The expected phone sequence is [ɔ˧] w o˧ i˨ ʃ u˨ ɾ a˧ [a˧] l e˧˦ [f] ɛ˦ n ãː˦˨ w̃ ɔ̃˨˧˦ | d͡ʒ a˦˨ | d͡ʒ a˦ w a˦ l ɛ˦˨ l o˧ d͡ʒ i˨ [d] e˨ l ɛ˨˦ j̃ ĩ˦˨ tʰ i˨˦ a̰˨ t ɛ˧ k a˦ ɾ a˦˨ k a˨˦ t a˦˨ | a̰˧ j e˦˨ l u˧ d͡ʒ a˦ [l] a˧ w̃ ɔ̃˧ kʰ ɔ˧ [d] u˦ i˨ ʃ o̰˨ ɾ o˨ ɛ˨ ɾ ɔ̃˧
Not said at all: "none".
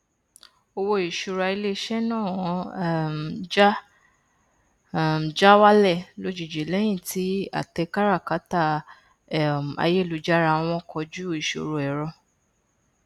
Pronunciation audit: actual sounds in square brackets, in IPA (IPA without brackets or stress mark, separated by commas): o˧, i˧, ʃ, d͡ʒ, ɾ, d͡ʒ